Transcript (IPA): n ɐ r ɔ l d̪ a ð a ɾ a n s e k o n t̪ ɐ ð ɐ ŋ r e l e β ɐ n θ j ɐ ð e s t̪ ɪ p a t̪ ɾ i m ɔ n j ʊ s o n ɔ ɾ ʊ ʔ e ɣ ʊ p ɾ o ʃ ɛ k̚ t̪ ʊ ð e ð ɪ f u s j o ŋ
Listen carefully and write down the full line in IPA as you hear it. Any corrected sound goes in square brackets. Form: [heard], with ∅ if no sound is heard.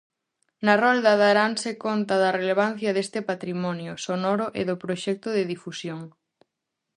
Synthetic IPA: n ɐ r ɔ l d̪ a ð a ɾ a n s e k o n t̪ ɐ ð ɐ [∅] r e l e β [a] n θ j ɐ ð e s t̪ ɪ p a t̪ ɾ i m ɔ n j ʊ s o n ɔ ɾ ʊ ʔ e [ð] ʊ p ɾ o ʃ ɛ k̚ t̪ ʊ ð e ð [i] f u s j o ŋ